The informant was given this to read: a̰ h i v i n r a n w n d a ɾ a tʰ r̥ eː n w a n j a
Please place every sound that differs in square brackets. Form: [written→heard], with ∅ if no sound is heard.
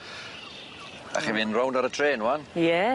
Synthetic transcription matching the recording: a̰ [h→χ] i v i n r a [n→∅] w n d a ɾ [a→ə] tʰ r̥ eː n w a n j [a→ɛ]